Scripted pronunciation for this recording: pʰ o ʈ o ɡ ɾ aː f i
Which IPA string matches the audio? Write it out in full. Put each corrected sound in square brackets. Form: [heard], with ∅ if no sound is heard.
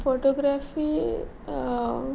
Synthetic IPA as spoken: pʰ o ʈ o ɡ ɾ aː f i